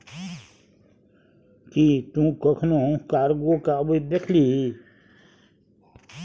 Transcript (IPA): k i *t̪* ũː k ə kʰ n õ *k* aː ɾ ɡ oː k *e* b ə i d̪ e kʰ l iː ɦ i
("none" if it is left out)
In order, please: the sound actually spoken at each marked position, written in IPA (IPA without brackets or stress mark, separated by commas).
t̪, k, a